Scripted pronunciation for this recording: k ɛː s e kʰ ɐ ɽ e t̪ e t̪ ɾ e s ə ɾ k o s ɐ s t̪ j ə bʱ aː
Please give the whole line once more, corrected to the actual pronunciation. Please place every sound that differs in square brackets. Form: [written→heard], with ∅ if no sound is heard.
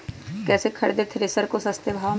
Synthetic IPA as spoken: k ɛː s e kʰ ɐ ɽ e [t̪→d̪] e [t̪→t̪ʰ] ɾ e s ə ɾ k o s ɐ s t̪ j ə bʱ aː